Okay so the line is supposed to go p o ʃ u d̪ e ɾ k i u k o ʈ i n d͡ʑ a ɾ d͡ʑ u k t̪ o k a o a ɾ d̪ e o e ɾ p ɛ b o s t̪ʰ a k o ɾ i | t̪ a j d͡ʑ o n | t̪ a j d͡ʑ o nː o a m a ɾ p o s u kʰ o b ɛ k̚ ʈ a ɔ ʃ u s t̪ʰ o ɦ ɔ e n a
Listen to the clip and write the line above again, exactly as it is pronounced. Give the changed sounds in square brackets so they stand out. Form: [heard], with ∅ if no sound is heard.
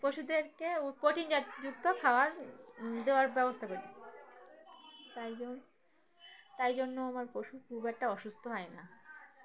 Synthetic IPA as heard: p o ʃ u d̪ e ɾ k [e] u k o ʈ i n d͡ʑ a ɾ d͡ʑ u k t̪ o [kʰ] a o a ɾ d̪ e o [a] ɾ [b] ɛ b o s t̪ʰ a k o ɾ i | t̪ a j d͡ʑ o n | t̪ a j d͡ʑ o nː o a m a ɾ p o [ʃ] u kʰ [u] b ɛ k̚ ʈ a ɔ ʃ u s t̪ʰ o ɦ ɔ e n a

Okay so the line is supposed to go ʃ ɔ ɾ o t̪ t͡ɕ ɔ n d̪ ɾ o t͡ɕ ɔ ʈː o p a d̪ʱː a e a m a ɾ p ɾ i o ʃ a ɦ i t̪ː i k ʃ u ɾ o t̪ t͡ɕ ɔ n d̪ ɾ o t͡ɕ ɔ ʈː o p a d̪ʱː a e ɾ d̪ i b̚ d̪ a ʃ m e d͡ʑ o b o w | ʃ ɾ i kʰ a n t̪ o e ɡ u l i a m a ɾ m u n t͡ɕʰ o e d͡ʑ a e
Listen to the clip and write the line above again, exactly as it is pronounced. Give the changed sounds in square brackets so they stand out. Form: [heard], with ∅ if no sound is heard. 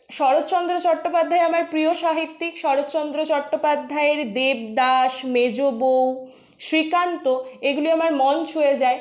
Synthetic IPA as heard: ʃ ɔ ɾ o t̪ t͡ɕ ɔ n d̪ ɾ o t͡ɕ ɔ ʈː o p a d̪ʱː a e a m a ɾ p ɾ i o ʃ a ɦ i t̪ː i k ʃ [ɔ] ɾ o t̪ t͡ɕ ɔ n d̪ ɾ o t͡ɕ ɔ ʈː o p a d̪ʱː a e ɾ d̪ [e] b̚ d̪ a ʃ m e d͡ʑ o b o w | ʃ ɾ i [k] a n t̪ o e ɡ u l i a m a ɾ m [ɔ] n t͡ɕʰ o e d͡ʑ a e

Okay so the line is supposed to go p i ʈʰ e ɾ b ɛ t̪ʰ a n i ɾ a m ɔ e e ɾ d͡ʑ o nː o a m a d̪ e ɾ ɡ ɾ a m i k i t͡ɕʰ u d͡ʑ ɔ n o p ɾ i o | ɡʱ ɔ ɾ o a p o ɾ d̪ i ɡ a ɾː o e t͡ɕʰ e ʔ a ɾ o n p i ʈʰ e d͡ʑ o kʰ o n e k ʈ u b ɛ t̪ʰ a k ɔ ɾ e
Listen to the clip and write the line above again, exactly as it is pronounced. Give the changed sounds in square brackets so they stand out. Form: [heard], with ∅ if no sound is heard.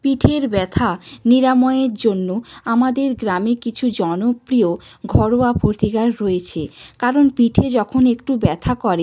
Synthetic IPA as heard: p i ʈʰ e ɾ b ɛ t̪ʰ a n i ɾ a m ɔ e e ɾ d͡ʑ o nː o a m a d̪ e ɾ ɡ ɾ a m i k i t͡ɕʰ u d͡ʑ ɔ n o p ɾ i o | ɡʱ ɔ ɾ o a p o ɾ [t̪] i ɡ a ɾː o e t͡ɕʰ e [k] a ɾ o n p i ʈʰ e d͡ʑ [ɔ] kʰ o n e k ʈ u b ɛ t̪ʰ a k ɔ ɾ e

